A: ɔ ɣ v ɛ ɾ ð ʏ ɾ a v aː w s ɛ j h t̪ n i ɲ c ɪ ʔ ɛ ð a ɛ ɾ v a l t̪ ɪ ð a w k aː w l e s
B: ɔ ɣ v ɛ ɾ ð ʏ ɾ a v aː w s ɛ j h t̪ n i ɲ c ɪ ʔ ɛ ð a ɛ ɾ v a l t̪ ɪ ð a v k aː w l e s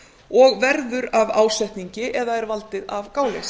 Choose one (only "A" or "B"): B